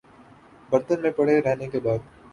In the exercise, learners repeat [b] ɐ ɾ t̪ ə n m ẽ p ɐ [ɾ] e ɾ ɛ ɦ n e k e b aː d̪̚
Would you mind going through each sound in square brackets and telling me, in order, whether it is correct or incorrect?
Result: correct, incorrect

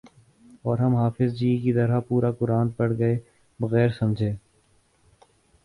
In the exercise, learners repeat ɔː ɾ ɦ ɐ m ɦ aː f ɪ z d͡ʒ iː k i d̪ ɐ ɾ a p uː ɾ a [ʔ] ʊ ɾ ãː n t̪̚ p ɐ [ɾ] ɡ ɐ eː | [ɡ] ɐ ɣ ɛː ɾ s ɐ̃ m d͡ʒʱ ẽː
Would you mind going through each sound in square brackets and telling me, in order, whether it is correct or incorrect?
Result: incorrect, incorrect, incorrect

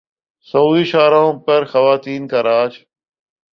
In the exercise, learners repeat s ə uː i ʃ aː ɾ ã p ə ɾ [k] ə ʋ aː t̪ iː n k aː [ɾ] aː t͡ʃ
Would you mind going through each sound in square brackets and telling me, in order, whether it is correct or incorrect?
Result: incorrect, correct

